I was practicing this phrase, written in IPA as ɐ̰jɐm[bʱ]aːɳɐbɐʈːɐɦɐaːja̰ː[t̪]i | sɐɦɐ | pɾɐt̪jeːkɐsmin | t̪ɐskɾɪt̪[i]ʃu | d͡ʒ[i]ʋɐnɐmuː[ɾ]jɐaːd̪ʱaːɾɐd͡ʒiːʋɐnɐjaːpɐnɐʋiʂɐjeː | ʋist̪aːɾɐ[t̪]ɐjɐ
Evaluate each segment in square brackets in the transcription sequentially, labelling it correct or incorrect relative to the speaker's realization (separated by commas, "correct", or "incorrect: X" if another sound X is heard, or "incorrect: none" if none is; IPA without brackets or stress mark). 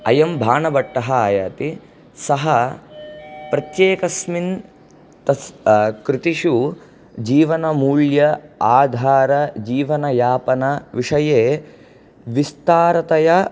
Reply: correct, correct, correct, incorrect: iː, incorrect: ɭ, correct